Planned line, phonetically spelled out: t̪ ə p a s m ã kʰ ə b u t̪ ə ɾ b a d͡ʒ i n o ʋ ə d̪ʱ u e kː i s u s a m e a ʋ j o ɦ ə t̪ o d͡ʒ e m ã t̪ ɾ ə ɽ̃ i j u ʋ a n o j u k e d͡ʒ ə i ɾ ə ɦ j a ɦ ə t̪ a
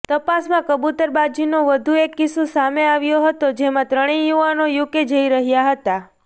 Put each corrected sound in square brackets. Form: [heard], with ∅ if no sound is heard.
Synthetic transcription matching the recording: t̪ ə p a s m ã [k] ə b u t̪ ə ɾ b a d͡ʒ i n o ʋ ə d̪ʱ u e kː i s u s a m e a ʋ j o ɦ ə t̪ o d͡ʒ e m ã t̪ ɾ ə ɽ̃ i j u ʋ a n o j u k e d͡ʒ ə i ɾ ə ɦ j a ɦ ə t̪ a